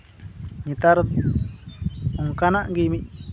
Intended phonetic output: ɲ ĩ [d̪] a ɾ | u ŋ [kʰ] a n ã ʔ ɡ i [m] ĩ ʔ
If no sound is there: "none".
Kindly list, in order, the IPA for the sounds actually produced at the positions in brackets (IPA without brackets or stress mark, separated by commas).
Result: t̪, k, m